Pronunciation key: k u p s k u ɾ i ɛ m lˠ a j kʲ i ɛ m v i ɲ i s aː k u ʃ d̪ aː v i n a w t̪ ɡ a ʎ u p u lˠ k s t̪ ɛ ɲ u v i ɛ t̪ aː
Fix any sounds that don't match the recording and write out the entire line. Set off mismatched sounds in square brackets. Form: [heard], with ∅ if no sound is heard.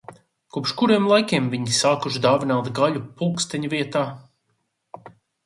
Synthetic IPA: k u p [ʃ] k u ɾ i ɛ m lˠ a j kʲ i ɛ m v i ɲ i s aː k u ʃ d̪ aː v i n a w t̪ ɡ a ʎ u p u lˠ k s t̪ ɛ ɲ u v i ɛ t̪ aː